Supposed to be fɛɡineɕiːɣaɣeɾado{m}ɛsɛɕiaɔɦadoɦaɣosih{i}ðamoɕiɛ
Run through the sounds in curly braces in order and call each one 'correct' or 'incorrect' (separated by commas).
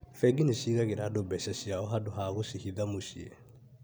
incorrect, correct